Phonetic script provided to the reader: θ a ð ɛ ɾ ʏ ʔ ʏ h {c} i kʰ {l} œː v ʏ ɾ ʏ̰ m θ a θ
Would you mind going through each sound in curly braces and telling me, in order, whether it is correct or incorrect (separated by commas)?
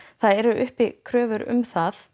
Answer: incorrect, incorrect